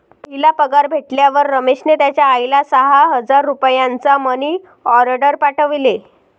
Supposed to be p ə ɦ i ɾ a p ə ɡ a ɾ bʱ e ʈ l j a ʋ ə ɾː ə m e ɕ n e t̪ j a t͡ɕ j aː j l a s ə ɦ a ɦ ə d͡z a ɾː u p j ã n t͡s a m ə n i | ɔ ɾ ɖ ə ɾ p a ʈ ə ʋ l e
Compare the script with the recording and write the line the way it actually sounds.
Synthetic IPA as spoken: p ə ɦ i l a p ə ɡ a ɾ bʱ e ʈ l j a ʋ ə ɾː ə m e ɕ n e t̪ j a t͡ɕ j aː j l a s ə ɦ a ɦ ə d͡z a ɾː u p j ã n t͡s a m ə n i | ɔ ɾ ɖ ə ɾ p a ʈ ə ʋ l e